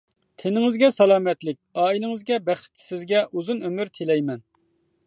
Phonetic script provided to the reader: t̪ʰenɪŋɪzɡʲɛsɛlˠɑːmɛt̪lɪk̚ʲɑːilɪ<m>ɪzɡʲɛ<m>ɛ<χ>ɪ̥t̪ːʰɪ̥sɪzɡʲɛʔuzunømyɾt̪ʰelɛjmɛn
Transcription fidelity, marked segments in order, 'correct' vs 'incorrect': incorrect: ŋ, incorrect: b, correct

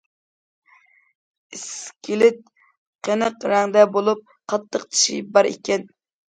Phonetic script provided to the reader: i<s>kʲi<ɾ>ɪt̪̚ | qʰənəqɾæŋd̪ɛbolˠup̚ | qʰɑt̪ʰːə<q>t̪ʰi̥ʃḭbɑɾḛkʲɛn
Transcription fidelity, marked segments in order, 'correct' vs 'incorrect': correct, incorrect: l, correct

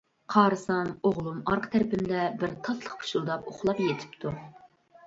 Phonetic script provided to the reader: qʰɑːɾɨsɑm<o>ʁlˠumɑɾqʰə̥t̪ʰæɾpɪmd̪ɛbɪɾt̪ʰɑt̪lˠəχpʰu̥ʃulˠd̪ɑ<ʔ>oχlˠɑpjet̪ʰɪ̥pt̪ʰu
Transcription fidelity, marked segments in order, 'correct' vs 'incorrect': correct, incorrect: p

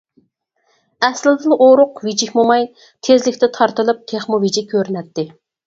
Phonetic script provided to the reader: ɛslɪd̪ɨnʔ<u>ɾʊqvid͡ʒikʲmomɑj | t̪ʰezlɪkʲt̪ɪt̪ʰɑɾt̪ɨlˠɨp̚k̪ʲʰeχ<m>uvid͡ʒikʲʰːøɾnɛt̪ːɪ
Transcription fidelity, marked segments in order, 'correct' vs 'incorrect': incorrect: o, correct

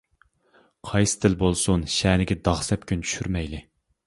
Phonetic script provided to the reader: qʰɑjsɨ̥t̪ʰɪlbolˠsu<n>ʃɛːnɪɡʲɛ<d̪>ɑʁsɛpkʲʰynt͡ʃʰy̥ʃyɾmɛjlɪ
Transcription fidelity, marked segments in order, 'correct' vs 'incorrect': correct, correct

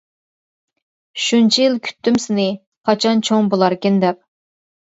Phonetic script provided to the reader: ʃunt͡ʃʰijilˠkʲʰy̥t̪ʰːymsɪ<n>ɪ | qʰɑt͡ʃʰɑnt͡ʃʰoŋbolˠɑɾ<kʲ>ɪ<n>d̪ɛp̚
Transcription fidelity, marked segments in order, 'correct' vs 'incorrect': correct, correct, correct

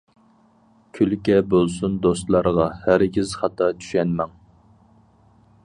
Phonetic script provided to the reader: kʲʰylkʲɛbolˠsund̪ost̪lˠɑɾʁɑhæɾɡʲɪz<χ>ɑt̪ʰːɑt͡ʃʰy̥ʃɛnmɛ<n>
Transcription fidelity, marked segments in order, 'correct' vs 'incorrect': correct, incorrect: ŋ

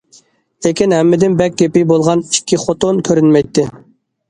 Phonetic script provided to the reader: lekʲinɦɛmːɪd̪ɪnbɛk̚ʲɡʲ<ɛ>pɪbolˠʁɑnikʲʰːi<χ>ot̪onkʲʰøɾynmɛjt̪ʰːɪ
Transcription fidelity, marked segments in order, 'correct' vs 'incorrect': incorrect: e, correct

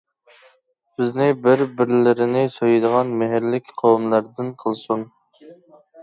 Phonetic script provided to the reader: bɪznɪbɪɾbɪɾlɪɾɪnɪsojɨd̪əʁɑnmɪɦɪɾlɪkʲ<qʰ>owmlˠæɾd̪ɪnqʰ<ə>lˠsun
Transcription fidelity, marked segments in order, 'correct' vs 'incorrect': correct, correct

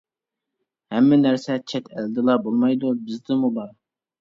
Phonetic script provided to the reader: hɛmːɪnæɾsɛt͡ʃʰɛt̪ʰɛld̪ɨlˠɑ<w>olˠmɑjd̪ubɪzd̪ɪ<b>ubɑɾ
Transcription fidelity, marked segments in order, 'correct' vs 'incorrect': incorrect: b, incorrect: m

